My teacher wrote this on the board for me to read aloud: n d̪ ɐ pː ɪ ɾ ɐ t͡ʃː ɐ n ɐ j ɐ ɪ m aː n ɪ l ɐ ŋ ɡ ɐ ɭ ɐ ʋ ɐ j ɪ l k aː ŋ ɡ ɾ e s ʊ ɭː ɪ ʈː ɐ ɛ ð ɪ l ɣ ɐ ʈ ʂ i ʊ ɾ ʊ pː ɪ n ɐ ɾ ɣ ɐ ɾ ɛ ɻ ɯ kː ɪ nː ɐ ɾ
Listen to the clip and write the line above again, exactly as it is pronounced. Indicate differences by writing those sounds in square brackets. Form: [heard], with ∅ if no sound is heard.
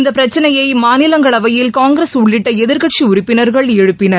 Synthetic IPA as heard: n d̪ ɐ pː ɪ ɾ ɐ t͡ʃː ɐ n ɐ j ɐ ɪ m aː n ɪ l ɐ ŋ ɡ ɐ ɭ ɐ ʋ ɐ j ɪ l k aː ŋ ɡ ɾ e s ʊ ɭː ɪ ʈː ɐ ɛ ð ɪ [ɾ] ɣ ɐ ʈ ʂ i ʊ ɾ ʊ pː ɪ n ɐ ɾ ɣ ɐ [ɭ] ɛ ɻ ɯ [pː] ɪ [n] ɐ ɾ